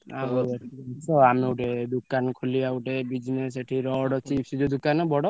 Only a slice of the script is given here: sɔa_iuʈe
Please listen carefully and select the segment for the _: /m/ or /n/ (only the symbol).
m